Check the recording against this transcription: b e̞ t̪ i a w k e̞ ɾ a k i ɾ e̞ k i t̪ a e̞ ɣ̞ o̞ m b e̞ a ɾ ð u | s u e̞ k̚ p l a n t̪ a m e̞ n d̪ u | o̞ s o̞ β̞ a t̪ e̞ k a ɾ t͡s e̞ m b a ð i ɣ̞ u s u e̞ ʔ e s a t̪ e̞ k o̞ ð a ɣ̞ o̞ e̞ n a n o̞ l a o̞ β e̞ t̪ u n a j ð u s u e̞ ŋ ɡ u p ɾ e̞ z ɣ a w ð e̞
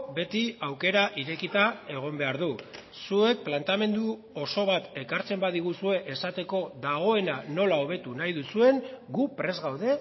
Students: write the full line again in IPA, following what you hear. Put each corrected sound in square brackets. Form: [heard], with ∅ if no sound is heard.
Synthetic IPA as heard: b e̞ t̪ i a w k e̞ ɾ a [ʔ] i ɾ e̞ k i t̪ a e̞ ɣ̞ o̞ m b e̞ a ɾ ð u | s u e̞ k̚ p l a n t̪ a m e̞ n d̪ u | o̞ s o̞ β̞ a t̪ e̞ k a ɾ t͡s e̞ m b a ð i ɣ̞ u s u e̞ ʔ e s a t̪ e̞ k o̞ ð a ɣ̞ o̞ e̞ n a n o̞ l a o̞ β e̞ t̪ u n a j ð u s u e̞ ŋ ɡ u p ɾ e̞ z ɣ a w ð e̞